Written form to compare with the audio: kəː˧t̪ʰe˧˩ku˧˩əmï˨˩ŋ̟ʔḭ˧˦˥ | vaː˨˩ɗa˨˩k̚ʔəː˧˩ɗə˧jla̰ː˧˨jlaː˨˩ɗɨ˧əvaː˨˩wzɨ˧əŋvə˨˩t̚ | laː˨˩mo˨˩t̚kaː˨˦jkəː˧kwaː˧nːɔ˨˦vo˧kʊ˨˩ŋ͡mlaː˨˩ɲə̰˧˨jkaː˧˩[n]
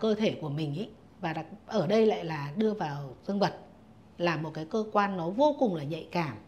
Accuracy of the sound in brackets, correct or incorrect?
incorrect